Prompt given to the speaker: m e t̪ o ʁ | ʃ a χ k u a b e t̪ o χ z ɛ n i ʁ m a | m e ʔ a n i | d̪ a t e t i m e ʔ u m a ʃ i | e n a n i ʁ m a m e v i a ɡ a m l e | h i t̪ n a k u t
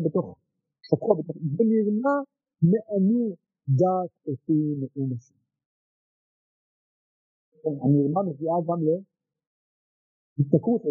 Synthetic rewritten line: b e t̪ o χ | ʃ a k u a b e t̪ o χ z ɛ n i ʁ m a | m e ʔ a n i | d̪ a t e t i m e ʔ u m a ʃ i | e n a n i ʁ m a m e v i a ɡ a m l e | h i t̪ n a k u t